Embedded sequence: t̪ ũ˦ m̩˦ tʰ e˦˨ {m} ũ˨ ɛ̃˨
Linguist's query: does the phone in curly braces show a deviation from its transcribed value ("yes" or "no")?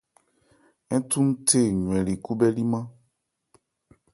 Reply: yes